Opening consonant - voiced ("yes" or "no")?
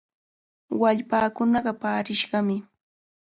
yes